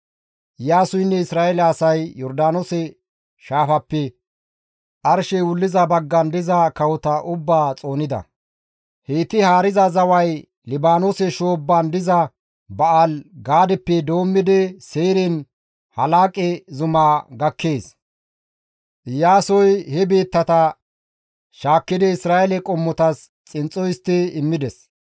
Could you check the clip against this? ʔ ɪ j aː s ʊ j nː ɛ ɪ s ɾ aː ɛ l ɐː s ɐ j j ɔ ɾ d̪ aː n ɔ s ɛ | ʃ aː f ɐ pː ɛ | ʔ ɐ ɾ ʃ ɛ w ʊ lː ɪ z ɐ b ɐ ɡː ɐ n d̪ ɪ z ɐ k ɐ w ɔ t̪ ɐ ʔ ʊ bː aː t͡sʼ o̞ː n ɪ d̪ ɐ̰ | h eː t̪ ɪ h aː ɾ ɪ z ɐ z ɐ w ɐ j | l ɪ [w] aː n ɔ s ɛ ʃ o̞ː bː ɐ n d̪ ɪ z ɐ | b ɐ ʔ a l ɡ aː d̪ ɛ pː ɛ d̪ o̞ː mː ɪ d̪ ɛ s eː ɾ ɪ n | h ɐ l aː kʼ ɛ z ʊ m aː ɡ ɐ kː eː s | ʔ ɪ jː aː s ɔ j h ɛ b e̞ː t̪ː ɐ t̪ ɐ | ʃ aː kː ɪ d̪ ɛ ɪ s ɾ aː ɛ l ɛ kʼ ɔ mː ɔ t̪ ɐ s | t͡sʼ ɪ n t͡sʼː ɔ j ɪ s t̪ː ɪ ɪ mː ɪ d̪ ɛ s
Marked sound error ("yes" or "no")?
yes